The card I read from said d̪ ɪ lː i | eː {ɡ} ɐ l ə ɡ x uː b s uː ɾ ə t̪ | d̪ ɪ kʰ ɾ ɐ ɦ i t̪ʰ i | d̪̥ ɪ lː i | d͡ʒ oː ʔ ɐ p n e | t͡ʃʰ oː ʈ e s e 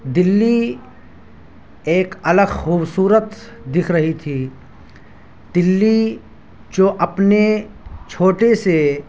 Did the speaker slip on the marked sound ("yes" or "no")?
yes